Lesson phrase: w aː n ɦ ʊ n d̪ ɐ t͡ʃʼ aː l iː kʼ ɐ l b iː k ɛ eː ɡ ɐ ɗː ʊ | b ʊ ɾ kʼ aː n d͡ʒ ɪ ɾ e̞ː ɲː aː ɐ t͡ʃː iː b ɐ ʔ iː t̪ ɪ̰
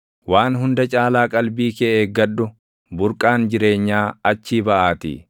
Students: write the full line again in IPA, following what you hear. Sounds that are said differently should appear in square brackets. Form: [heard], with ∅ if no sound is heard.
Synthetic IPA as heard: w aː n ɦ ʊ n d̪ ɐ t͡ʃʼ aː l [aː] kʼ ɐ l b iː k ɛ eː ɡ ɐ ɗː ʊ | b ʊ ɾ kʼ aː n d͡ʒ ɪ ɾ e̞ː ɲː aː ɐ t͡ʃː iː b ɐ ʔ [aː] t̪ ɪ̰